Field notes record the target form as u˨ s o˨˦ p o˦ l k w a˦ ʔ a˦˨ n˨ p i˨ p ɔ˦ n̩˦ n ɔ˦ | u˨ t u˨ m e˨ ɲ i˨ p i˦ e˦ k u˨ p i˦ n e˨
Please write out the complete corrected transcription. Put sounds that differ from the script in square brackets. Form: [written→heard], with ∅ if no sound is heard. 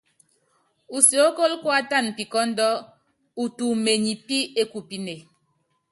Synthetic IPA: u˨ s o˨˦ [p→k] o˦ l k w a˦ [ʔ→t] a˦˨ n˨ p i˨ [p→k] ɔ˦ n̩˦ [n→d] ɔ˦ | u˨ t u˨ m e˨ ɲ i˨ p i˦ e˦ k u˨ p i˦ n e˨